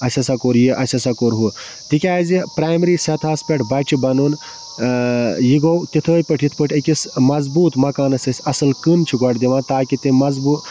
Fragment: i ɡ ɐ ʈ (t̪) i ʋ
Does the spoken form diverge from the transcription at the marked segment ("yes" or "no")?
yes